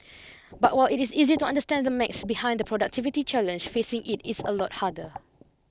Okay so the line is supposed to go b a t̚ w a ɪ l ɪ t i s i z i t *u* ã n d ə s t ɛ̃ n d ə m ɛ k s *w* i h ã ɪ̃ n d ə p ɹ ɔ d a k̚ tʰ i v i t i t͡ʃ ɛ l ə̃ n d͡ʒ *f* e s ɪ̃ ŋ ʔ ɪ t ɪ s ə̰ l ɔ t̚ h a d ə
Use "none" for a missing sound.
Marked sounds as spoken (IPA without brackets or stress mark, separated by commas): u, b, f